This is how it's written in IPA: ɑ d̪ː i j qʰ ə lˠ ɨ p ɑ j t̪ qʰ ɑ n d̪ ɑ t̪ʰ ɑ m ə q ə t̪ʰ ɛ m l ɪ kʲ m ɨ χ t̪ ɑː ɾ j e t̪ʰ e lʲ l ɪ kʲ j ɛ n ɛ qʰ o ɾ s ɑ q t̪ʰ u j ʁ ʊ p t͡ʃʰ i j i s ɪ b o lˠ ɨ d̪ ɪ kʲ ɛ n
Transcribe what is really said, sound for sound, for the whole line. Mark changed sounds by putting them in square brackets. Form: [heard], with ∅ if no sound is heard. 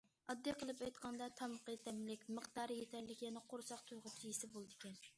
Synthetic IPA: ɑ d̪ː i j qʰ ə lˠ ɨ p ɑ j t̪ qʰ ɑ n d̪ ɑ t̪ʰ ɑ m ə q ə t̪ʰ ɛ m l ɪ kʲ m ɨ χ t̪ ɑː ɾ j e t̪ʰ [ɛ] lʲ l ɪ kʲ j ɛ n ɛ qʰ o ɾ s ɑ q t̪ʰ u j ʁ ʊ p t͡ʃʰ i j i s ɪ b o lˠ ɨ d̪ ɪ kʲ ɛ n

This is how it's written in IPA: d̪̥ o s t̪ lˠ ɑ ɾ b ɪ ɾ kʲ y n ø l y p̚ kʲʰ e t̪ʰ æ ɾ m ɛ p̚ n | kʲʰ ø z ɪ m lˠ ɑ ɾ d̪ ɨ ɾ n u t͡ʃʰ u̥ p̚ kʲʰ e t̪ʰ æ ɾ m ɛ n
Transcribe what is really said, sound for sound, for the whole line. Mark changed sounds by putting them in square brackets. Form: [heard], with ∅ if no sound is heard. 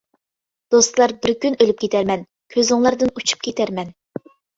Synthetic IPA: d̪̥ o s t̪ lˠ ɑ ɾ b ɪ ɾ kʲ y n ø l y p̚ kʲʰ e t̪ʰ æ ɾ m ɛ [∅] n | kʲʰ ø z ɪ [ŋ] lˠ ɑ ɾ d̪ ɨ [∅] n u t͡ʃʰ u̥ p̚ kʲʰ e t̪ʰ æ ɾ m ɛ n

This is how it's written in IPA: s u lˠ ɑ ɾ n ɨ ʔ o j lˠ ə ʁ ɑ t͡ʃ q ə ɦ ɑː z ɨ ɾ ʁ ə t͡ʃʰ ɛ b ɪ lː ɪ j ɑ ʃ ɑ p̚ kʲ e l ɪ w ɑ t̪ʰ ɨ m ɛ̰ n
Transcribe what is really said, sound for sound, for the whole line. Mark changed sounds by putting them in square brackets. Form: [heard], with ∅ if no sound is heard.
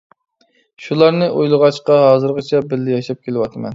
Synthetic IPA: [ʃ] u lˠ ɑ ɾ n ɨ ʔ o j lˠ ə ʁ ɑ t͡ʃ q [ɑ] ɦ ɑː z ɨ ɾ ʁ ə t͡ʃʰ ɛ b ɪ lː ɪ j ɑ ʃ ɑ p̚ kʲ e l ɪ w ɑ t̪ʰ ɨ m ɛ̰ n

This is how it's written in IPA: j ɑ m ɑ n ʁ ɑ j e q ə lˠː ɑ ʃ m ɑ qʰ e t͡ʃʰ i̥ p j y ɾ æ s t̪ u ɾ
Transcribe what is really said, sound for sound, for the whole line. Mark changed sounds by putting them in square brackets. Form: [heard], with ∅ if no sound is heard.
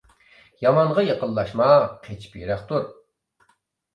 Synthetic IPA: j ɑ m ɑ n ʁ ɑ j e q ə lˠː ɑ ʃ m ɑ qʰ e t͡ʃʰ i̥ p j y ɾ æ [χ] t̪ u ɾ

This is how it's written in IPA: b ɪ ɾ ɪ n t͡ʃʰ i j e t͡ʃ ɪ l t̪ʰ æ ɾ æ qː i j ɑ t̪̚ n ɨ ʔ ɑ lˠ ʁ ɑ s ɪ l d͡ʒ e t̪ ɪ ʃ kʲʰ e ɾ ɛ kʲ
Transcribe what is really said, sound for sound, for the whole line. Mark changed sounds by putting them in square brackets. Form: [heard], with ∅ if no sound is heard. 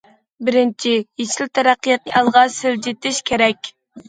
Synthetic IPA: b ɪ ɾ ɪ n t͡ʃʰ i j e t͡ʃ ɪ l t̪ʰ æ ɾ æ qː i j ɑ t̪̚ n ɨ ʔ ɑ lˠ ʁ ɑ s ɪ l d͡ʒ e t̪ ɪ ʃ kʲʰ e ɾ ɛ kʲ

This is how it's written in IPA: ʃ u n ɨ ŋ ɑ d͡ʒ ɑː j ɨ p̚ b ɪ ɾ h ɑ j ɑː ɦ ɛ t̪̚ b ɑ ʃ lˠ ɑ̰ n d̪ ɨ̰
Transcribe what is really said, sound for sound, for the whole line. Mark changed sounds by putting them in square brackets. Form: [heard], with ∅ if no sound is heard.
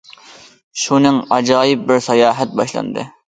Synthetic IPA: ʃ u n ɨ ŋ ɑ d͡ʒ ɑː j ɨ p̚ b ɪ ɾ [s] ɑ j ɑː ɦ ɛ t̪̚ b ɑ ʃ lˠ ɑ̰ n d̪ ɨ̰

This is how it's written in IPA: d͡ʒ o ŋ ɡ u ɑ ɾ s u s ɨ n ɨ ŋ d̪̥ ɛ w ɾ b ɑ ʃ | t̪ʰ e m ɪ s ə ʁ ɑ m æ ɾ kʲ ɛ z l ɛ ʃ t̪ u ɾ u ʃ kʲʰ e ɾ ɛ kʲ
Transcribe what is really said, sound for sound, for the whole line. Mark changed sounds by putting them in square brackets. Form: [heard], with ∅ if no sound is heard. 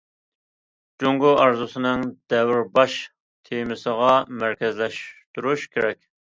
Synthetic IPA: d͡ʒ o ŋ ɡ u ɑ ɾ [z] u s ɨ n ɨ ŋ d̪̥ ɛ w ɾ b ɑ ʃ | t̪ʰ e m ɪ s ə ʁ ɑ m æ ɾ kʲ ɛ z l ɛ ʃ t̪ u ɾ u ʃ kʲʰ e ɾ ɛ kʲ

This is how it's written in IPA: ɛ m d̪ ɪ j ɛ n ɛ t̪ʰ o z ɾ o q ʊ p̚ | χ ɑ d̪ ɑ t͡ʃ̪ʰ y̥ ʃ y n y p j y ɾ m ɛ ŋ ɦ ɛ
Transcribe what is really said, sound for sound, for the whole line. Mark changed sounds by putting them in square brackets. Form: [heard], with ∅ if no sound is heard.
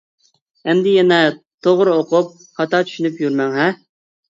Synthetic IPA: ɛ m d̪ ɪ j ɛ n ɛ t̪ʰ o [ʁ] ɾ o q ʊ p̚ | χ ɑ [t̪] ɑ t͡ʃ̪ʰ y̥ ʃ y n y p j y ɾ m ɛ ŋ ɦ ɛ

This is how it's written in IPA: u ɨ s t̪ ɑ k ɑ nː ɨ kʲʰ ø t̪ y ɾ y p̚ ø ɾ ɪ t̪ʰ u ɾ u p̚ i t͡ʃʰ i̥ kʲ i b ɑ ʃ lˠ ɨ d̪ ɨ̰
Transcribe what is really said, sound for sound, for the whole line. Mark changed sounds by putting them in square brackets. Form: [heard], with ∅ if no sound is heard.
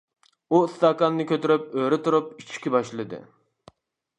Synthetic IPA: u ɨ s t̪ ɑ k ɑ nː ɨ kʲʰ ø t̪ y ɾ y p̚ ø ɾ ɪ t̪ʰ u ɾ u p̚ i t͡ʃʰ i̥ kʲ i b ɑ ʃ lˠ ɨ d̪ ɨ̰

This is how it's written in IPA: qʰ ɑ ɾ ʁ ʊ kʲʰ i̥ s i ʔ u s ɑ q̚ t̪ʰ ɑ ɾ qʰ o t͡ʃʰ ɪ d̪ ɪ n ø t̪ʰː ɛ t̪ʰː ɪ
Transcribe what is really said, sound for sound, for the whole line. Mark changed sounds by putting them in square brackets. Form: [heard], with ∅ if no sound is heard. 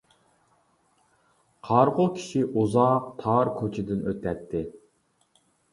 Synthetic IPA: qʰ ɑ ɾ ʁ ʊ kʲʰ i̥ [ʃ] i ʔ u [z] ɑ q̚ t̪ʰ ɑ ɾ [kʰ] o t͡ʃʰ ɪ d̪ ɪ n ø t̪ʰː ɛ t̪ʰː ɪ

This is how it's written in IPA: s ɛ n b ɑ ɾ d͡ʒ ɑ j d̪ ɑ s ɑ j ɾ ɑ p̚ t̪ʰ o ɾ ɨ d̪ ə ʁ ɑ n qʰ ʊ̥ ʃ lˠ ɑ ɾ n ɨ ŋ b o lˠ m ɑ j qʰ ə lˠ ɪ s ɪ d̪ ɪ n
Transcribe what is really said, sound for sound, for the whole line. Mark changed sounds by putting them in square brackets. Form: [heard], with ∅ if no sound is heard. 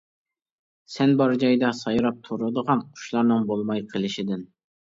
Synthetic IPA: s ɛ n b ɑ ɾ d͡ʒ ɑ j d̪ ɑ s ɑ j ɾ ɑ p̚ t̪ʰ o ɾ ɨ d̪ ə ʁ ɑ n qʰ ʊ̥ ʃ lˠ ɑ ɾ n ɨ ŋ b o lˠ m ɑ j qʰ ə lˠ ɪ [ʃ] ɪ d̪ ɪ n

